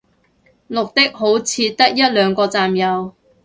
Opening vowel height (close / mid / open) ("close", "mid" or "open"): close